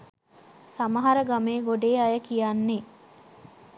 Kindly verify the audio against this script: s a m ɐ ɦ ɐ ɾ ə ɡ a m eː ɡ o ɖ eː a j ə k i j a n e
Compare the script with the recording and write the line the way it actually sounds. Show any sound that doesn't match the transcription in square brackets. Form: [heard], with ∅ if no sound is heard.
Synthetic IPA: s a m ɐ ɦ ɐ ɾ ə ɡ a m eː ɡ o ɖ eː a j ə k i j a [nː] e